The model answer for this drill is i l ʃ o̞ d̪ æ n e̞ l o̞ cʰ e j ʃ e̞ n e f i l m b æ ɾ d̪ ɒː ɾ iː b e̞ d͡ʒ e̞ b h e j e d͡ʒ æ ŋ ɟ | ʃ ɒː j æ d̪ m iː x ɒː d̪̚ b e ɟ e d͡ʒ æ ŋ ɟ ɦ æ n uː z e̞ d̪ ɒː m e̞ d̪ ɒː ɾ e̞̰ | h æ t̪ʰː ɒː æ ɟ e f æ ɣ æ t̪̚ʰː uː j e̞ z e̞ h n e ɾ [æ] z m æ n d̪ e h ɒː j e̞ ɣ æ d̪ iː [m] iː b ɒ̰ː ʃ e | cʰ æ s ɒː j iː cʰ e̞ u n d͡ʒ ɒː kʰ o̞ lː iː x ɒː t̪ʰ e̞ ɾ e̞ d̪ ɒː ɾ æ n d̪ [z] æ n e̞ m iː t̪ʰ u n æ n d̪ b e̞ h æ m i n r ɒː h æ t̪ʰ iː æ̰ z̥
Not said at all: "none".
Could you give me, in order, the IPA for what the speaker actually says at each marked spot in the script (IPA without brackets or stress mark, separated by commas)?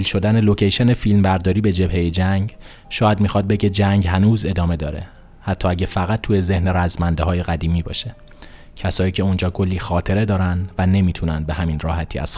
æ, m, v